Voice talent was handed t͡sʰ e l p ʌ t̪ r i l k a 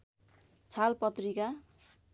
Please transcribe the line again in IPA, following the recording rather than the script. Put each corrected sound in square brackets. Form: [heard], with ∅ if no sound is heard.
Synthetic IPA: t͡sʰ [a] l p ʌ t̪ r i [∅] k a